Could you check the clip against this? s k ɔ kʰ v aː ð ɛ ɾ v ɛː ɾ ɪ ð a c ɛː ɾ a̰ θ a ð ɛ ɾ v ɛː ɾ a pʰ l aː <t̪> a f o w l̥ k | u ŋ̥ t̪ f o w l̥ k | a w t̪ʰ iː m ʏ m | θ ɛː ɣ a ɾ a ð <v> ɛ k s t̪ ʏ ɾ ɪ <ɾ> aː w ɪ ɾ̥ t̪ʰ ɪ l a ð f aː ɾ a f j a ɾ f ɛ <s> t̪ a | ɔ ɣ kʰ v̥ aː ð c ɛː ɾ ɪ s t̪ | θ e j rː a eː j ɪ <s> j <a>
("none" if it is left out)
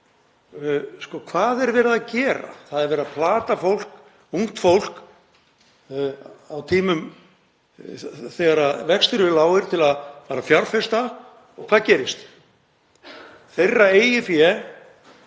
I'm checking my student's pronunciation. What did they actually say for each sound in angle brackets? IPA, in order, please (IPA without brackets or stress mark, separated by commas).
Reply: t̪, v, l, s, f, ɛ